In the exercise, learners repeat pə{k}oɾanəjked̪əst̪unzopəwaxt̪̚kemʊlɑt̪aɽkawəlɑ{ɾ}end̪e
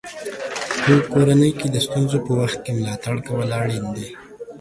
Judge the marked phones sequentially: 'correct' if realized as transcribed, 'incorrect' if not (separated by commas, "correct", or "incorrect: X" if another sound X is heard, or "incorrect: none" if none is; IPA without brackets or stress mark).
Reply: correct, incorrect: ɽ